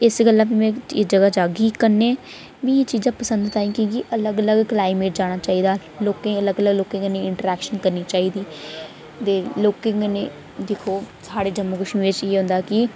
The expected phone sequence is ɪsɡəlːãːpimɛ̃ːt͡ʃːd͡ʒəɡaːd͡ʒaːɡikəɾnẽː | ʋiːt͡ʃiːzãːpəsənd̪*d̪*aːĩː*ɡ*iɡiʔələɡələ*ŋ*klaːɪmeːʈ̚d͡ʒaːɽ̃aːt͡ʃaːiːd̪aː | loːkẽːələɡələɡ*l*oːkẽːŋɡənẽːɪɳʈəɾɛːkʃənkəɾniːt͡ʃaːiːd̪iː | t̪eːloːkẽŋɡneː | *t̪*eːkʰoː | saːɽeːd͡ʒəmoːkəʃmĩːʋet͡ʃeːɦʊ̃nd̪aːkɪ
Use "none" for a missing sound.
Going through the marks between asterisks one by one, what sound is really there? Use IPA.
t̪, k, ɡ, l, d̪

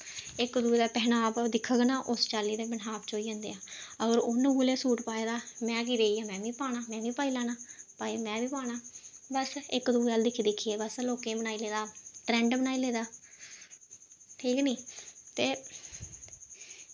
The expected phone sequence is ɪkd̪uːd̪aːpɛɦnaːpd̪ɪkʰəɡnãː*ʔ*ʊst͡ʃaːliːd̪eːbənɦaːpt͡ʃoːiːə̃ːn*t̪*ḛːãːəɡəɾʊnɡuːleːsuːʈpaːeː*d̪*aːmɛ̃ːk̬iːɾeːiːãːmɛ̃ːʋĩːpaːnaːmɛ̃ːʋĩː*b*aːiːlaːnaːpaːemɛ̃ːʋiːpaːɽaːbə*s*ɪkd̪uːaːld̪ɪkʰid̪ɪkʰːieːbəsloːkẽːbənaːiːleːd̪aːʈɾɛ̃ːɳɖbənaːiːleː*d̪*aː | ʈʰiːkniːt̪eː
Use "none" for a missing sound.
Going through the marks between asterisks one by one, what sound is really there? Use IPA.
ʔ, d̪, d̪, p, s, d̪

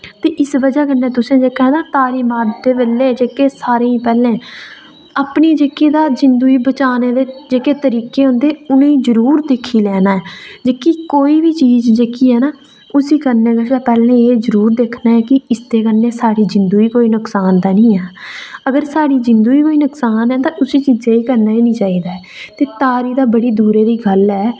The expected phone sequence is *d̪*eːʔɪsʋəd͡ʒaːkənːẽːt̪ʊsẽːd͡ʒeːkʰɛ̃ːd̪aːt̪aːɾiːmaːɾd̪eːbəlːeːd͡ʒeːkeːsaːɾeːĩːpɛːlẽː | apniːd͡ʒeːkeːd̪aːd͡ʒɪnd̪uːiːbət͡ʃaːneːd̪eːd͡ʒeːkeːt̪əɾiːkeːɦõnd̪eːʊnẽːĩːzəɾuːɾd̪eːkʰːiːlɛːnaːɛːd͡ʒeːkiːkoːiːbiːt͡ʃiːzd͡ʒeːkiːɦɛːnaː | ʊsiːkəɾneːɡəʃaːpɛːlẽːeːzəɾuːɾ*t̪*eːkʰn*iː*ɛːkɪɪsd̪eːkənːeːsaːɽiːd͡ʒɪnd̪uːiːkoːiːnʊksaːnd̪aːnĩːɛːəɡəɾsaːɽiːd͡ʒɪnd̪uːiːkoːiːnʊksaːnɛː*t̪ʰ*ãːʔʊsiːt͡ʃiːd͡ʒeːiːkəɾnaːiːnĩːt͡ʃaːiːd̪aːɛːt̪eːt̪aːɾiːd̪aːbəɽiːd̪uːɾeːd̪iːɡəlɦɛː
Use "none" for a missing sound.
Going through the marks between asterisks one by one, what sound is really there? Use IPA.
t̪, d̪, aː, t̪

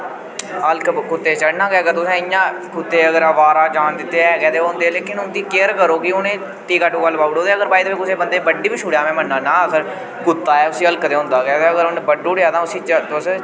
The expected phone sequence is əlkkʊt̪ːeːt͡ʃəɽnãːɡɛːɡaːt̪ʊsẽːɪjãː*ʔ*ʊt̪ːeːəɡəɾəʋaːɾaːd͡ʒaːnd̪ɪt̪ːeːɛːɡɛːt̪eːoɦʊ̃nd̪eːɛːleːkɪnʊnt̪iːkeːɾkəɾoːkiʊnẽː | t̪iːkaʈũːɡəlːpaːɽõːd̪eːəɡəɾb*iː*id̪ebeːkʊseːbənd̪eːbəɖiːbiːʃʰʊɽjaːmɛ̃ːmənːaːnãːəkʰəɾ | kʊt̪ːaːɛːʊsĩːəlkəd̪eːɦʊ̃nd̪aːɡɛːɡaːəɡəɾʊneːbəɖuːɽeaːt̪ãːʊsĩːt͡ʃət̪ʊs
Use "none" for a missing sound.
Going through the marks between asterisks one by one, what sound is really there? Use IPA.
k, aː

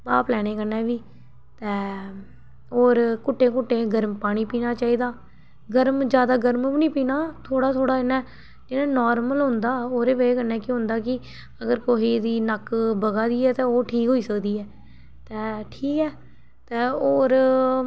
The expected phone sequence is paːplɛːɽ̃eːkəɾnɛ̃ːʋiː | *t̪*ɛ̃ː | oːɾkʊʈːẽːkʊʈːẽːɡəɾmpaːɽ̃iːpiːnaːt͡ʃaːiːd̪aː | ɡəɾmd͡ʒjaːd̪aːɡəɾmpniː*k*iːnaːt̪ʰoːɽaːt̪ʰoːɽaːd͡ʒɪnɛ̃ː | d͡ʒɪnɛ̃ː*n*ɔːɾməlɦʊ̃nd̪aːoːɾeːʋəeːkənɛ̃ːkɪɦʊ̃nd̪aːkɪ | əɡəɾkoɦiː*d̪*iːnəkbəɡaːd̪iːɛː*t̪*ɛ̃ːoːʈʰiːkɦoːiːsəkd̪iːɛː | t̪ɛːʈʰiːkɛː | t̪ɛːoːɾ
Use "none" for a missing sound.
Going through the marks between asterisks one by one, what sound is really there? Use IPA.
t̪, p, n, d̪, t̪

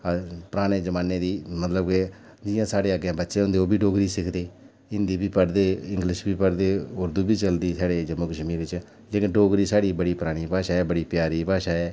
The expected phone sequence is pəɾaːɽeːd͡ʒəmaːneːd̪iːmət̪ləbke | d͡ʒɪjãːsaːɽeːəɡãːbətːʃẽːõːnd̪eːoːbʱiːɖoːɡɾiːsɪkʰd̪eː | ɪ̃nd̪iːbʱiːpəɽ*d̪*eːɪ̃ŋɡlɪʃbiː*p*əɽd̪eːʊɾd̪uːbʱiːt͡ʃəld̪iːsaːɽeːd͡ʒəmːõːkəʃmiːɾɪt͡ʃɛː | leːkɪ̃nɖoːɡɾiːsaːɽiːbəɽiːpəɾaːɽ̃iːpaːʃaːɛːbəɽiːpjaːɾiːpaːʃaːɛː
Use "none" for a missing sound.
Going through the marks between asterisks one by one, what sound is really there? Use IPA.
d̪, p

